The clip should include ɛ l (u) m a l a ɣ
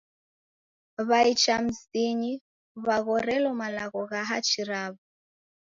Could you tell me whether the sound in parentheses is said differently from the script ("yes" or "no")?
yes